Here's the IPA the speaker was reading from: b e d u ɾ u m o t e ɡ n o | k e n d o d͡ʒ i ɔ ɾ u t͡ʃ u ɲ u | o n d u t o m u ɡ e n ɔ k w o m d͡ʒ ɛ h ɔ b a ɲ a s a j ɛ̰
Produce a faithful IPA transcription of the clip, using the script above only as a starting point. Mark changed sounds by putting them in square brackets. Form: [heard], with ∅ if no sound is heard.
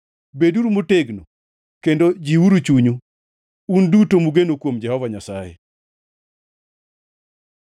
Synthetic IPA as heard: b e d u ɾ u m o t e ɡ n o | k e n d o d͡ʒ i [u] ɾ u t͡ʃ u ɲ u | [u] n d u t o m u ɡ e n [o] k w o m d͡ʒ ɛ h ɔ [v] a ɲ a s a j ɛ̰

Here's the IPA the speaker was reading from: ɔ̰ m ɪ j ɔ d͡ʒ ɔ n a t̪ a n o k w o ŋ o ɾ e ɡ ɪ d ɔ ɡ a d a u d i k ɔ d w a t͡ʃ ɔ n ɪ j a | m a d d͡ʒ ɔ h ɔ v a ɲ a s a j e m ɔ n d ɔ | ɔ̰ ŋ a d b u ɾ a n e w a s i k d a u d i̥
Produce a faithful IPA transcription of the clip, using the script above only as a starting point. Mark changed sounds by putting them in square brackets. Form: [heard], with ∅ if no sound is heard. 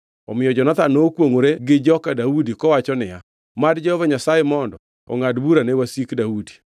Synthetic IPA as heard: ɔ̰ m ɪ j ɔ d͡ʒ ɔ n a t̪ a n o k w o ŋ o ɾ e ɡ ɪ [d͡ʒ] ɔ [k] a d a u d i k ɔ [∅] w a t͡ʃ ɔ n ɪ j a | m a d d͡ʒ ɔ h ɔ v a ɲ a s a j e m ɔ n d ɔ | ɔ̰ ŋ a d b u ɾ a n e w a s i k d a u d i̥

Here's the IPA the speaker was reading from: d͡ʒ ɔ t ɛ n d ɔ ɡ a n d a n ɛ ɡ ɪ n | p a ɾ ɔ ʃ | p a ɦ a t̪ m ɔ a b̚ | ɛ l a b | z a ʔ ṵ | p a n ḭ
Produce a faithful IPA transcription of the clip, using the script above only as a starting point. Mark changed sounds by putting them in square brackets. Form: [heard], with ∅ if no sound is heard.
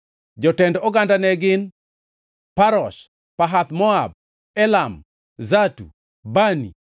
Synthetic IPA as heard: d͡ʒ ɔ t ɛ n d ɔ ɡ a n d a n ɛ ɡ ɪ n | p a ɾ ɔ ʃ | p a ɦ a t̪ m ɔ a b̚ | ɛ l a [m] | z a [t] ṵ | [b] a n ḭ

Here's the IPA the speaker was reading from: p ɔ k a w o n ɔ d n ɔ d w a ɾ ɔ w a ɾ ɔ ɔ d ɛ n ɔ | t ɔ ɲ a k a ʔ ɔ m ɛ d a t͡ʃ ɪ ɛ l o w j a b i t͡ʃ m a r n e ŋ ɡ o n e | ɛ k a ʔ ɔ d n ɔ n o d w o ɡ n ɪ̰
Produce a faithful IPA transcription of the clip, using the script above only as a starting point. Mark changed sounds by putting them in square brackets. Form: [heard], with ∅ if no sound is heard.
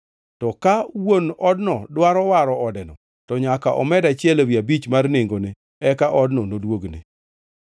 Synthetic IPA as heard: [t] ɔ k a w o n ɔ d n ɔ d w a ɾ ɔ w a ɾ ɔ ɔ d ɛ n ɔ | t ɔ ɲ a k a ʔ ɔ m ɛ d a t͡ʃ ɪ ɛ l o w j a b i t͡ʃ m a r n e ŋ ɡ o n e | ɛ k a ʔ ɔ d n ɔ n o d w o ɡ n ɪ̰

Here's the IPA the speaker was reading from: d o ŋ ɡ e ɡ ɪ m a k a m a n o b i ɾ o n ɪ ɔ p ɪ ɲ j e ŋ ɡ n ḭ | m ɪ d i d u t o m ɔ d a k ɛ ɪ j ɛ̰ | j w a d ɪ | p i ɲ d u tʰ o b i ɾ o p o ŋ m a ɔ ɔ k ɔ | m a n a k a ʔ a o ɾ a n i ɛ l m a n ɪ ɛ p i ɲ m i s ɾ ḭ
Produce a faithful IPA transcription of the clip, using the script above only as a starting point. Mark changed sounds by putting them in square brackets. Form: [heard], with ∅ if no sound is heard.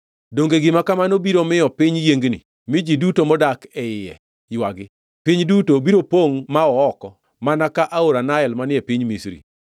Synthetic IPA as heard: d o ŋ ɡ e ɡ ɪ m a k a m a n o b i ɾ o [m] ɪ ɔ p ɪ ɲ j e ŋ ɡ n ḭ | m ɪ [d͡ʒ] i d u t o m ɔ d a k ɛ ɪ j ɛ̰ | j w a [ɡ] ɪ | p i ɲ d u [t] o b i ɾ o p o ŋ m a ɔ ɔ k ɔ | m a n a k a ʔ a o ɾ a n [a] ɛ l m a n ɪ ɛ p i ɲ m i s ɾ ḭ

